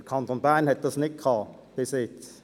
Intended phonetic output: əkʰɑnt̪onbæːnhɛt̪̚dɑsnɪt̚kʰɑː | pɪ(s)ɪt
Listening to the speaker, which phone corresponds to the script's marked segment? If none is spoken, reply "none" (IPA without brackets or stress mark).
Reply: s